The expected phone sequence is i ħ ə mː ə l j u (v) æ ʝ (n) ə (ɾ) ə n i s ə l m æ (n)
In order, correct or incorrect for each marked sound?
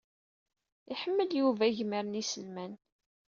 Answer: correct, incorrect: m, correct, correct

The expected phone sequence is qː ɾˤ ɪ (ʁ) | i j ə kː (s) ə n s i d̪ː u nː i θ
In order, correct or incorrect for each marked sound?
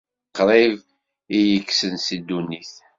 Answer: incorrect: v, correct

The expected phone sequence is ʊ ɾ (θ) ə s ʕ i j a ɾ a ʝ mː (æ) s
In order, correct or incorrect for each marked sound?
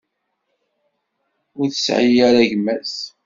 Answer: correct, correct

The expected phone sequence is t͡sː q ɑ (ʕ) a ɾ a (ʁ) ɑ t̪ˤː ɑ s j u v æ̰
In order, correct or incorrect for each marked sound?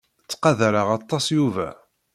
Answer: incorrect: ð, correct

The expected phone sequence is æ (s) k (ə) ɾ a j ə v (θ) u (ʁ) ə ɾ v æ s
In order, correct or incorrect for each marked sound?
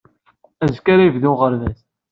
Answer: incorrect: z, incorrect: a, incorrect: ð, correct

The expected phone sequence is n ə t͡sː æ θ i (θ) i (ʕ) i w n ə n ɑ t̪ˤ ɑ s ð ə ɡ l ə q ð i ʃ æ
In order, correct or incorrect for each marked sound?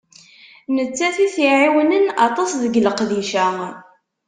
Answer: correct, correct

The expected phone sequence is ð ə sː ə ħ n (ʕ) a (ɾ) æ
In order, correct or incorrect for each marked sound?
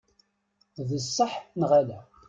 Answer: incorrect: ʁ, incorrect: l

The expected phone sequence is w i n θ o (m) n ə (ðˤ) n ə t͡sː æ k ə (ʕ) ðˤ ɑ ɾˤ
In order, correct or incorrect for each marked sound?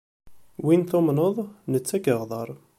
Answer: correct, correct, incorrect: ʁ

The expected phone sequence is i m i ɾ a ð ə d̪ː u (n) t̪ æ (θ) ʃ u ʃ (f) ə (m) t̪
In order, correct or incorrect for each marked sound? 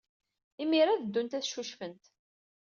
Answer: correct, correct, correct, incorrect: n

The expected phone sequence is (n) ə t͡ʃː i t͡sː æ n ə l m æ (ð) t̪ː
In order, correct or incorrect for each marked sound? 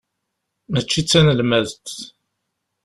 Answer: incorrect: m, correct

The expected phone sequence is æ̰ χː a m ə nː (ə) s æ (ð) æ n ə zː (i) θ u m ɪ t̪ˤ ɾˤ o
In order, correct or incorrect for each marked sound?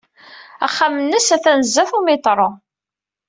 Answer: correct, incorrect: θ, incorrect: æ

